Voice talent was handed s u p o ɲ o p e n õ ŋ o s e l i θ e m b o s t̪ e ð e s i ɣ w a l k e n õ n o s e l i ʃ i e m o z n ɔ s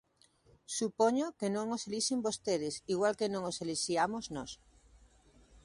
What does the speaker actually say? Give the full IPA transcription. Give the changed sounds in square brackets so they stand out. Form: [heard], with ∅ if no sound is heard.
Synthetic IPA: s u p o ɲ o [k] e n õ ŋ o s e l i [ʃ] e m b o s t̪ e ð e s i ɣ w a l k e n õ [ŋ] o s e l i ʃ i [a] m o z n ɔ s